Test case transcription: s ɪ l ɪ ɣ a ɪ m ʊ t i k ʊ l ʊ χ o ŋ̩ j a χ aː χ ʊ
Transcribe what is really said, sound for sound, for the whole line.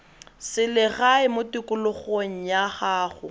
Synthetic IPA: s ɪ l ɪ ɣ a ɪ m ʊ t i k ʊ l ʊ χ o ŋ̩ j a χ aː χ ʊ